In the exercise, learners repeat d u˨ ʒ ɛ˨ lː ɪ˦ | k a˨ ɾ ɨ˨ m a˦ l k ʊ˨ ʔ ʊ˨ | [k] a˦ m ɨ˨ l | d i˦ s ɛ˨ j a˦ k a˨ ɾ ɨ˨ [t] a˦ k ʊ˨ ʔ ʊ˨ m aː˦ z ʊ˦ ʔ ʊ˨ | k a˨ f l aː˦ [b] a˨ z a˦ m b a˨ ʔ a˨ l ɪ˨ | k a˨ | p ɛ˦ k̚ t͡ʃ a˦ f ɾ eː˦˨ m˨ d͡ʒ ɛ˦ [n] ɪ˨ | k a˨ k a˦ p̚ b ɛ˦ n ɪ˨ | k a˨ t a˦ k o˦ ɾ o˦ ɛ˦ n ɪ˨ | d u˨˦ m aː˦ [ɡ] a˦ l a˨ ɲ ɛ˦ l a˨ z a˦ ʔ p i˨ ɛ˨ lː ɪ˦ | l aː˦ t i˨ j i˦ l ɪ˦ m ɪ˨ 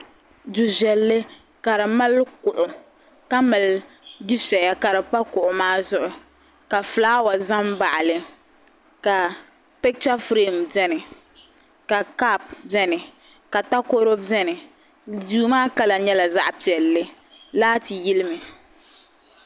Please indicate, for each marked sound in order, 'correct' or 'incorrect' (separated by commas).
correct, incorrect, incorrect, correct, incorrect